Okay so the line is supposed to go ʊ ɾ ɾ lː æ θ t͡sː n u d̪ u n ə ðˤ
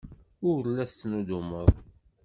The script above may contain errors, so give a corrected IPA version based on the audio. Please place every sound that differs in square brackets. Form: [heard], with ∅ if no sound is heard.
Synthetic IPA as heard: ʊ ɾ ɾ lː æ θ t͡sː n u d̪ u [m] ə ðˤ